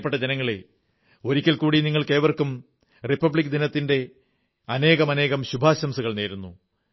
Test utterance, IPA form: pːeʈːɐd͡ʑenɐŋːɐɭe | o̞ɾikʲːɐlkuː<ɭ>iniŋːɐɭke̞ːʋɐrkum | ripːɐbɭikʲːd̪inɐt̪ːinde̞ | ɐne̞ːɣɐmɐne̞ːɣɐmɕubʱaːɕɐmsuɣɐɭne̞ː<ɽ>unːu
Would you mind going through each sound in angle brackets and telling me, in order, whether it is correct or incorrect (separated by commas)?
incorrect, incorrect